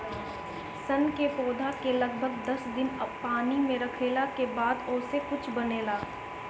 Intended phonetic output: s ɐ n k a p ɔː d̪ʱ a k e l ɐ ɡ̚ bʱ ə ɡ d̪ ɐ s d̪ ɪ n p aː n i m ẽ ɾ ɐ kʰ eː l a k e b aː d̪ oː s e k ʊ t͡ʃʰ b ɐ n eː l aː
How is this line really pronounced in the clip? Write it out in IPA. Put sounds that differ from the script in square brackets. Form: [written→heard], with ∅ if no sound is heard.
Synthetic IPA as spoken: s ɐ n k [a→e] p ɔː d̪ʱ a k e l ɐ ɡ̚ bʱ ə ɡ d̪ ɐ s d̪ ɪ n p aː n i m ẽ ɾ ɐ kʰ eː l a k e b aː d̪ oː s e k ʊ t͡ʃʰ b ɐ n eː l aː

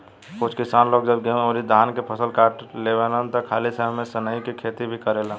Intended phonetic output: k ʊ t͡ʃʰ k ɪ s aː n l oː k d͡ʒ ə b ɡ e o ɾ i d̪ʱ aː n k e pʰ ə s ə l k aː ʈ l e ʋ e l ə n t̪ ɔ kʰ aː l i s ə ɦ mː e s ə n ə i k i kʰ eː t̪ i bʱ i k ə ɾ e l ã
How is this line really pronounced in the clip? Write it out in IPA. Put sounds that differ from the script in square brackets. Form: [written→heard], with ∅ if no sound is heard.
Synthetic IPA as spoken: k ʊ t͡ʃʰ k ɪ s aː n l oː [k→ɡ] d͡ʒ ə b ɡ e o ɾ i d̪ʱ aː n k e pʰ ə s ə l k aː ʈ l e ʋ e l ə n t̪ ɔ kʰ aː l i s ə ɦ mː e s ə n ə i k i kʰ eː t̪ i bʱ i k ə ɾ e l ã

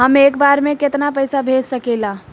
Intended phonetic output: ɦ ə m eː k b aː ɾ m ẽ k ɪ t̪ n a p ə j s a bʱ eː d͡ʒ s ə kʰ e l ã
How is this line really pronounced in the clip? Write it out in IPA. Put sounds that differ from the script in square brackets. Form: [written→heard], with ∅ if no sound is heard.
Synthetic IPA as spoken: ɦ ə m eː k b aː ɾ m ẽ k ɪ t̪ n a p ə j s a bʱ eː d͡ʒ s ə [kʰ→k] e l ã

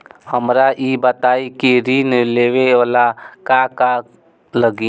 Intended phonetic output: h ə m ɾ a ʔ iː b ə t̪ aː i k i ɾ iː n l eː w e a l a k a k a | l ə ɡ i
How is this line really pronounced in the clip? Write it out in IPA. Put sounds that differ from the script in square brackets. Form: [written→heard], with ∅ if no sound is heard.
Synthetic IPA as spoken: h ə m ɾ a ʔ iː b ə t̪ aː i k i ɾ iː n l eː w e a l a k a k a | l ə ɡ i

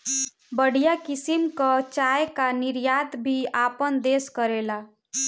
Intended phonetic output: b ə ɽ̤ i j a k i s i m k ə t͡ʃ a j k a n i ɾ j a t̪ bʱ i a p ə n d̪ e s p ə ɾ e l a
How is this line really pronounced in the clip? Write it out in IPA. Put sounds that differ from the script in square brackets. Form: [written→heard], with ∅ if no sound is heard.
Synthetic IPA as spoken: b ə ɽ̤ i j a k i s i m k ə t͡ʃ a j k a n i ɾ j a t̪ bʱ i a p ə n d̪ e s [p→k] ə ɾ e l a

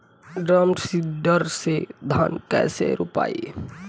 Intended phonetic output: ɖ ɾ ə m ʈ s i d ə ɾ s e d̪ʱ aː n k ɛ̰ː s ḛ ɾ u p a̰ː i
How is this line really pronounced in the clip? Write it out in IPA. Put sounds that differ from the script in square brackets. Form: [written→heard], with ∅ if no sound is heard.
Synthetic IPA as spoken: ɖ ɾ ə m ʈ s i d ə ɾ s e d̪ʱ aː n k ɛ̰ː s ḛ ɾ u p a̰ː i

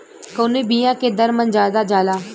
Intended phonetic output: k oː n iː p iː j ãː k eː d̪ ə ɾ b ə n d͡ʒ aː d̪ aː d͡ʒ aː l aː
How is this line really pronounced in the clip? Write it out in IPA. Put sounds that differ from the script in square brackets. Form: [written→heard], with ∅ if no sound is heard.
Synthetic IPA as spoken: k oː n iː [p→b] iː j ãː k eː d̪ ə ɾ [b→m] ə n d͡ʒ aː d̪ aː d͡ʒ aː l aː

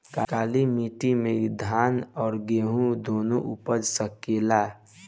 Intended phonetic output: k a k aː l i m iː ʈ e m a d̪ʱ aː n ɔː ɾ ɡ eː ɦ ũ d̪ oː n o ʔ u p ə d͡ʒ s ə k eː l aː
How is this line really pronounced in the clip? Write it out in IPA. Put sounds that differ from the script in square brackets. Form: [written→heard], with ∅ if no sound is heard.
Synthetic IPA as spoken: k a k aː l i m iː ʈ [e→i] m [a→e] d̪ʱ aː n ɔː ɾ ɡ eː ɦ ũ d̪ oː n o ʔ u p ə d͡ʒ s ə k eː l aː

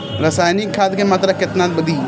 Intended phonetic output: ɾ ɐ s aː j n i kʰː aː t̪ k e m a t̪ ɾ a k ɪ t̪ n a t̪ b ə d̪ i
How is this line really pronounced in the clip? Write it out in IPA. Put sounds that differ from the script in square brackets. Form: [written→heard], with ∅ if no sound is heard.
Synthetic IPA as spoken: ɾ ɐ s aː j n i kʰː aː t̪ k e m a t̪ ɾ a k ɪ t̪ n a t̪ b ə d̪ i

